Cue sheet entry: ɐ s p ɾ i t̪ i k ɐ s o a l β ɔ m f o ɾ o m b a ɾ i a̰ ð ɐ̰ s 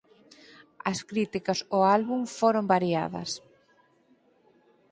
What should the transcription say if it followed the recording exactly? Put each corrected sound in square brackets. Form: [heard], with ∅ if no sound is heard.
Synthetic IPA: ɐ s [k] ɾ i t̪ i k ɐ s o a l β [u] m f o ɾ o m b a ɾ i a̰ ð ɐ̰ s